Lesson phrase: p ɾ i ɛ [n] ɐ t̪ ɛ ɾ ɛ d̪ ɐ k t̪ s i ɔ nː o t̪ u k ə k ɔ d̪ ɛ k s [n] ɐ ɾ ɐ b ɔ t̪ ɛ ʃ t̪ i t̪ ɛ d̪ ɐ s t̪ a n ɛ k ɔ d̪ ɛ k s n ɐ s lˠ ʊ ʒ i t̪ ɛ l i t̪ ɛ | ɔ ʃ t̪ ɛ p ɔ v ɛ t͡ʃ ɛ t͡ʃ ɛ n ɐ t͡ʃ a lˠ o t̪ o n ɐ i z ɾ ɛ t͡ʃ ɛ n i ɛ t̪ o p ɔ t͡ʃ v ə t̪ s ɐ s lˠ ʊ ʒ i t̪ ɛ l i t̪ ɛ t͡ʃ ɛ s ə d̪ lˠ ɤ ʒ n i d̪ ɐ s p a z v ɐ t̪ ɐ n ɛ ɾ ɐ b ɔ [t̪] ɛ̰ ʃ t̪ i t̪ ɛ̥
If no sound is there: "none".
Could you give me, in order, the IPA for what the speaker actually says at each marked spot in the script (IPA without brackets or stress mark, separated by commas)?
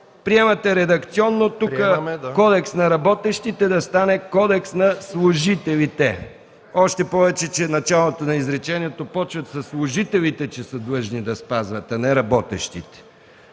m, n, t̪